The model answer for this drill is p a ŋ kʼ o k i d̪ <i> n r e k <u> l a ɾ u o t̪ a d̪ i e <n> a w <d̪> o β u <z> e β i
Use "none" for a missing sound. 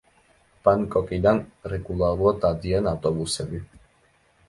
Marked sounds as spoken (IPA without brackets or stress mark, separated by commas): a, u, n, t̪, s